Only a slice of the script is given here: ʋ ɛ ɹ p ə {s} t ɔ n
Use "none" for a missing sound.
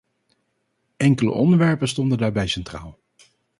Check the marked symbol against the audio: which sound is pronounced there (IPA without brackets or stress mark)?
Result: s